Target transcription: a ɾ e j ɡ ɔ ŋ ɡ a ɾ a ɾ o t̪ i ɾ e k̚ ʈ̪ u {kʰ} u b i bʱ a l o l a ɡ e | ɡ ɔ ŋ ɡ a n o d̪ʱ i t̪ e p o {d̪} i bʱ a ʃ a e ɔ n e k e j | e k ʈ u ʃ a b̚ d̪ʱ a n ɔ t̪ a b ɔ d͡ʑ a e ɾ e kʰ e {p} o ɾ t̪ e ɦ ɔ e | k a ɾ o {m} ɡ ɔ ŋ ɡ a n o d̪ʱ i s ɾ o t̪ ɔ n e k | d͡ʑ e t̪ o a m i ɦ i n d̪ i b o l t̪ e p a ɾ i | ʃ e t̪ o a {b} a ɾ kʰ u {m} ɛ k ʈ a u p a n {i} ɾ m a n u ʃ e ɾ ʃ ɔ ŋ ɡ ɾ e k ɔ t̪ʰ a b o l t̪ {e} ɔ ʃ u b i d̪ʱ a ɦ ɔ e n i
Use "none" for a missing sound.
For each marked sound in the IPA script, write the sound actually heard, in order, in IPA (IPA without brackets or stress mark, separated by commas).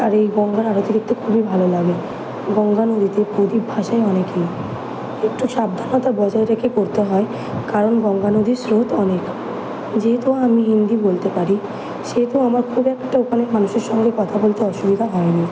kʰ, d̪, k, n, m, b, e, e